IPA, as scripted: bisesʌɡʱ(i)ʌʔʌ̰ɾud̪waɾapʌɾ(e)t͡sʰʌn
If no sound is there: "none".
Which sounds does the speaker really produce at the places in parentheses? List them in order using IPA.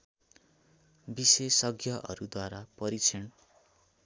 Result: j, i

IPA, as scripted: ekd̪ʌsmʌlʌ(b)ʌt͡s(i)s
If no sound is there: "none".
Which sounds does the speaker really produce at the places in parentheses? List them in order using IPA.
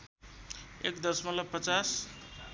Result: p, a

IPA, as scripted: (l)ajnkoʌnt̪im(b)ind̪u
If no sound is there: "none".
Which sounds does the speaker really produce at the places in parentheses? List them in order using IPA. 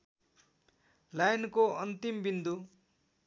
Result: l, b

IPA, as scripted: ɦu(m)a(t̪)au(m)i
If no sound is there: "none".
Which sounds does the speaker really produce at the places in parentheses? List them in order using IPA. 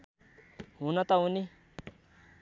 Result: n, t̪, n

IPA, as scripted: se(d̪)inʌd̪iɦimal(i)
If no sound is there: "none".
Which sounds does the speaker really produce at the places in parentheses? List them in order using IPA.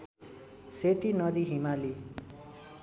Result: t̪, i

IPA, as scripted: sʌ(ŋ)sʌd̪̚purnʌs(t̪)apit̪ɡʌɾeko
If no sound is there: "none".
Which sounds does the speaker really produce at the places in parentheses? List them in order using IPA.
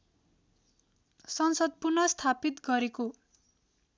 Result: n, t̪ʰ

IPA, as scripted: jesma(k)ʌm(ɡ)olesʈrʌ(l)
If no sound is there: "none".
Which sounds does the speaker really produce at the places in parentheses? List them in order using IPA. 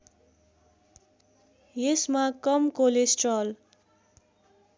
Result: k, k, l

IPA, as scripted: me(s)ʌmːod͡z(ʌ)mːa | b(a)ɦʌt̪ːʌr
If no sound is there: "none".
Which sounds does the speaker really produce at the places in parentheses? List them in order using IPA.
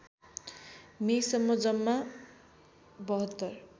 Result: s, ʌ, ʌ

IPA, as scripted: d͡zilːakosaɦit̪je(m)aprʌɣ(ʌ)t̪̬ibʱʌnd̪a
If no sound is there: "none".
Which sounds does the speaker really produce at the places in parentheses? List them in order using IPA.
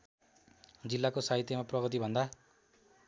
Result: m, ʌ

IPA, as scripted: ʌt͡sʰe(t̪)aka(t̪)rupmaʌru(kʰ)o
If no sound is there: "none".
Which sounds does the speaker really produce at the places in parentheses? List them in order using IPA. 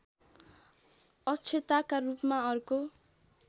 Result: t̪, none, k

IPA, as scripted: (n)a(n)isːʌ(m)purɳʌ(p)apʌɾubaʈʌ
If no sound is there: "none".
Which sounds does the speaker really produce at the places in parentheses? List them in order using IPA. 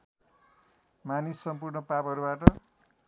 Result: m, n, m, p

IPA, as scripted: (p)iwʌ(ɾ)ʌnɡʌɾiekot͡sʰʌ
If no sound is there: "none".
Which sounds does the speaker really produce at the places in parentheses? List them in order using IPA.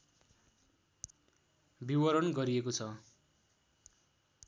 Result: b, ɾ

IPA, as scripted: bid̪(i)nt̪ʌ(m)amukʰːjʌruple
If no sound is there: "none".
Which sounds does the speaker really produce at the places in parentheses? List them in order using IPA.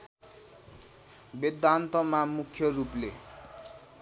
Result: a, m

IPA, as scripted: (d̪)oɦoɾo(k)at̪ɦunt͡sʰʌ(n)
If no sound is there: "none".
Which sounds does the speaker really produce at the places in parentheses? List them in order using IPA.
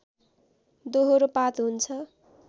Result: d̪, p, none

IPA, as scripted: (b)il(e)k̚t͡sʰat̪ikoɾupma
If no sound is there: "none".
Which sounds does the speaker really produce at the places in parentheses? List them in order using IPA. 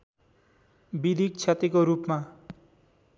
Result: b, i

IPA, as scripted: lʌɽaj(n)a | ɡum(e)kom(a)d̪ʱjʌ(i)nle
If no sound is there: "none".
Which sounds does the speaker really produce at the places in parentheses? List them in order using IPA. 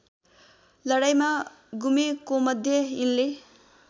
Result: m, e, ʌ, i

